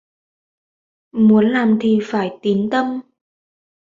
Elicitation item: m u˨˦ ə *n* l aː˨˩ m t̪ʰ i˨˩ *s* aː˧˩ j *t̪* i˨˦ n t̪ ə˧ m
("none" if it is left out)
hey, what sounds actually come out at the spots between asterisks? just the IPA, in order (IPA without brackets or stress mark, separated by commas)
n, f, t̪